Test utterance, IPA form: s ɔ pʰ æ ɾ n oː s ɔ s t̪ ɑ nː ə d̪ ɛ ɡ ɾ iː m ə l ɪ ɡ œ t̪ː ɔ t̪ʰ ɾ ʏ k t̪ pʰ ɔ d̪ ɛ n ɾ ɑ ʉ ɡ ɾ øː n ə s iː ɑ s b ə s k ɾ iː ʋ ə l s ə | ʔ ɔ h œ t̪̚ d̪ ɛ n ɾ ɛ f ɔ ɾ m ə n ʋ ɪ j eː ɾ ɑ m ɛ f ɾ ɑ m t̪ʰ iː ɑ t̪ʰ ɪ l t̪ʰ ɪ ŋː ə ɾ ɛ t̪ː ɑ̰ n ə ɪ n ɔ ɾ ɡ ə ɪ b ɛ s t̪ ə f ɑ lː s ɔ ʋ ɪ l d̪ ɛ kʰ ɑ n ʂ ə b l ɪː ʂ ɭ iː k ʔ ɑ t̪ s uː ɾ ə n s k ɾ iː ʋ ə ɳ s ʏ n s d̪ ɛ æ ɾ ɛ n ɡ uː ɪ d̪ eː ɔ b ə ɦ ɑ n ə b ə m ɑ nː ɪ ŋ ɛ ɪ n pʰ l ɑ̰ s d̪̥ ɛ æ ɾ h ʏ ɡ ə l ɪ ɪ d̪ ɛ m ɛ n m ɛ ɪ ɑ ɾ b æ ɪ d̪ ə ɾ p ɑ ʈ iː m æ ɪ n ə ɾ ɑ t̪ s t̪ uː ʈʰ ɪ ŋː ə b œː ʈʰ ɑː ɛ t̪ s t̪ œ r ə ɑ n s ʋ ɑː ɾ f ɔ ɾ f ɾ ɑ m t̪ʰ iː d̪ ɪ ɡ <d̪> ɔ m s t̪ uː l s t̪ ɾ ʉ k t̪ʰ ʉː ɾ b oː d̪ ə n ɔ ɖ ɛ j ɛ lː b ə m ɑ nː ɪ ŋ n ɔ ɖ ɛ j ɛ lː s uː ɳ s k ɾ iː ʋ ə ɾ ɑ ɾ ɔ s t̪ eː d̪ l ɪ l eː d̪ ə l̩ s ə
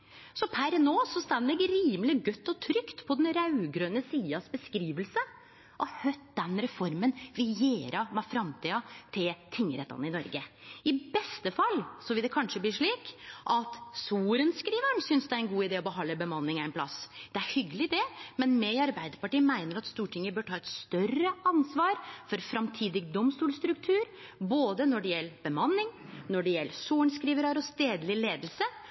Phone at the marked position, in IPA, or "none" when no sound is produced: d̪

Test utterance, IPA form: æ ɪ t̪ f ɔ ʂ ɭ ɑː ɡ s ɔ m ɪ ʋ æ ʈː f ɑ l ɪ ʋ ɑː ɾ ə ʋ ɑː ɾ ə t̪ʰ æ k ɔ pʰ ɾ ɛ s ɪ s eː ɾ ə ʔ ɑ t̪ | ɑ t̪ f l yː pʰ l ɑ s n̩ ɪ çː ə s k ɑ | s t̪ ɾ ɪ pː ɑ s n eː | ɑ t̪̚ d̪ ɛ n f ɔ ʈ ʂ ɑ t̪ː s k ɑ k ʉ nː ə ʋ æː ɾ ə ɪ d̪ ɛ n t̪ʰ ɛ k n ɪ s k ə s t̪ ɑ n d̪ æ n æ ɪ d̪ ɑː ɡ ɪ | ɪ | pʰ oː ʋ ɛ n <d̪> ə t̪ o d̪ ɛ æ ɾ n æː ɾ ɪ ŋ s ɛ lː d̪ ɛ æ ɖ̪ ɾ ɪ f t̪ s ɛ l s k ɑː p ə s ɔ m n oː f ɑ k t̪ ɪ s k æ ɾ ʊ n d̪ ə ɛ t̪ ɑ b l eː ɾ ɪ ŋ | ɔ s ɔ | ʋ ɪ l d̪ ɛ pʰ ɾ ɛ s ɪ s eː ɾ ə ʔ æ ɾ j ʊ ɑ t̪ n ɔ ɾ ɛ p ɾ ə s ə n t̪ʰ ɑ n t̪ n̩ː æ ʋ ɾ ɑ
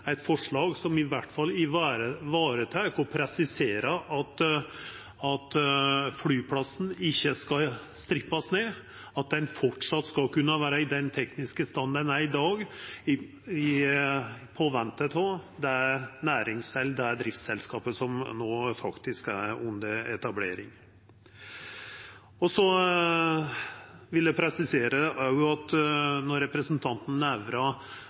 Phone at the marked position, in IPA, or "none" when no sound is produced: t̪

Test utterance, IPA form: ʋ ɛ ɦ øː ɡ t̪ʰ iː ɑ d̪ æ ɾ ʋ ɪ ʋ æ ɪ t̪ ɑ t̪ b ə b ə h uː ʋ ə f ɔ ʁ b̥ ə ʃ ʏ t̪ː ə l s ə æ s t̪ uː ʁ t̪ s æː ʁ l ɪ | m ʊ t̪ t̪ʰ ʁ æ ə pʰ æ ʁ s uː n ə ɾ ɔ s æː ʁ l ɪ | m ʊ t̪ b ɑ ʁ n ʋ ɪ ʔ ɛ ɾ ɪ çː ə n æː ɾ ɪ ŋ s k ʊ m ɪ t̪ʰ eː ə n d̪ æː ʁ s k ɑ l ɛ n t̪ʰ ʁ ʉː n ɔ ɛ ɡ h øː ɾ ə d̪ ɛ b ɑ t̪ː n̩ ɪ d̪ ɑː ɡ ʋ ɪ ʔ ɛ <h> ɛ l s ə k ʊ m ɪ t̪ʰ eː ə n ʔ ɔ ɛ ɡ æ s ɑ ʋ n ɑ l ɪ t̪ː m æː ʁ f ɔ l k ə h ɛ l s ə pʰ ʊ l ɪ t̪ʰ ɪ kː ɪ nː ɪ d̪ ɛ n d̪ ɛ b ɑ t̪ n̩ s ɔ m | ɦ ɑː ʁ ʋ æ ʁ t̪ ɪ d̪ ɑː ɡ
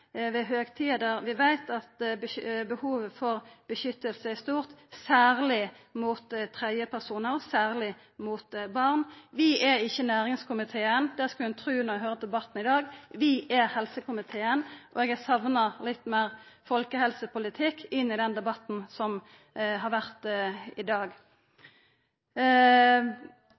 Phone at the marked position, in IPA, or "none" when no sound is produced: h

